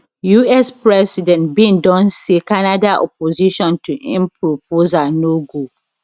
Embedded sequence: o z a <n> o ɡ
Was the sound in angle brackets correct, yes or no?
yes